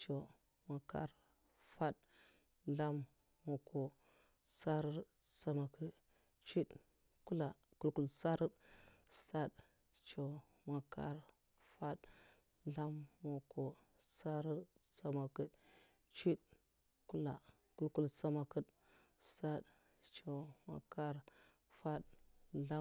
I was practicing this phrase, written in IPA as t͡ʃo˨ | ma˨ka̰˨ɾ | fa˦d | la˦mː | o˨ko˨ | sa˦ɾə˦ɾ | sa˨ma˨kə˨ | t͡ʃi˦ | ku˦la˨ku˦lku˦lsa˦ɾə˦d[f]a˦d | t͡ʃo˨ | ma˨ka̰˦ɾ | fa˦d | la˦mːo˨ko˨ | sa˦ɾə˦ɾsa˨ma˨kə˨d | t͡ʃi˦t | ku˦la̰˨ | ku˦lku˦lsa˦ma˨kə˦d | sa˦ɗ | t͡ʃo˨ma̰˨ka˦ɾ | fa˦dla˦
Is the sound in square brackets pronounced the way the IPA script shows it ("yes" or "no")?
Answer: no